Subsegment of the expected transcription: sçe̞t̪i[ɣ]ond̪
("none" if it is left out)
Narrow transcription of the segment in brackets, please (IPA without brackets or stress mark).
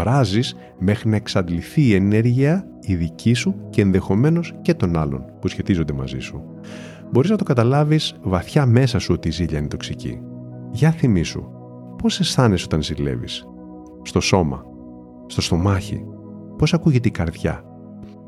z